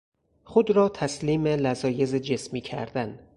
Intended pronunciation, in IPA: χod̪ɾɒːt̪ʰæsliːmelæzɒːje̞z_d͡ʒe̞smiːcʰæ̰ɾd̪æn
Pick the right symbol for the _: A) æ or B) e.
B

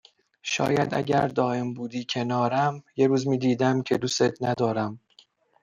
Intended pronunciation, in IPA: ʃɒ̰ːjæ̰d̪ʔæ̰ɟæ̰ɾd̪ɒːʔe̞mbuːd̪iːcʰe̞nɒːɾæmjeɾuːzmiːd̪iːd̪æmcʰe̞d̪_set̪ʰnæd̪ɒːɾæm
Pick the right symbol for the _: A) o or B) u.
B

